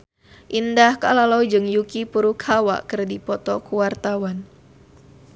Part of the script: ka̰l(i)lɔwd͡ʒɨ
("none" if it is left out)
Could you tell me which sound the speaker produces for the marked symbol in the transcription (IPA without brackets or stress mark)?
a